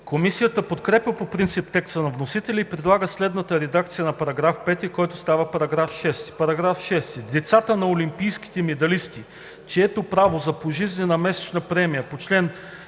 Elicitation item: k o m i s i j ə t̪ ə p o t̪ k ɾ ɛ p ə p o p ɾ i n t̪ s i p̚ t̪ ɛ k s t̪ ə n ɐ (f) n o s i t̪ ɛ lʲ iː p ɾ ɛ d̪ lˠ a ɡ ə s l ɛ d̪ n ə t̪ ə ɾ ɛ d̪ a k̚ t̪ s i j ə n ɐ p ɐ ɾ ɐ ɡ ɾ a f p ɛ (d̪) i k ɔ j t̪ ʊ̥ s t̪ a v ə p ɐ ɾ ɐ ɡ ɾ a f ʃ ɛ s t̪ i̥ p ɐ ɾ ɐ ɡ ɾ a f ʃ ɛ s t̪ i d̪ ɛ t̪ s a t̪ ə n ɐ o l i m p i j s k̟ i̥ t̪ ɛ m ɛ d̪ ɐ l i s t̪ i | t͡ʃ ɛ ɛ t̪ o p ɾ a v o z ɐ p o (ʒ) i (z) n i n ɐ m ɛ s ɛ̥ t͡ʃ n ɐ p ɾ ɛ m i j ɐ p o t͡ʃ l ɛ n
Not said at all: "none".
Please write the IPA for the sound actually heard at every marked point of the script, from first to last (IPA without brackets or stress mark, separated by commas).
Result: v, t̪, ʒ, z